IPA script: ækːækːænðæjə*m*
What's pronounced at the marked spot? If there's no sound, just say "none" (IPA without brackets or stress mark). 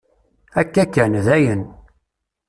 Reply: n